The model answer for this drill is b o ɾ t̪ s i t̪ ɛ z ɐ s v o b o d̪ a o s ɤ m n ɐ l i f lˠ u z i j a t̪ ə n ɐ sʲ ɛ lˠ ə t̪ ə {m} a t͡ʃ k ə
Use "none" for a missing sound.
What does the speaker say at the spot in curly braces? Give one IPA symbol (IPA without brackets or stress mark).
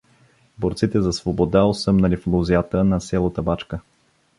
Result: b